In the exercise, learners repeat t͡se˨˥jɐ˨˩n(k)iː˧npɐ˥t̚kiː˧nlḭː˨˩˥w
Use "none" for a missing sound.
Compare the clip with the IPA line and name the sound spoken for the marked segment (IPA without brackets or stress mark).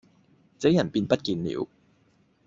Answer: p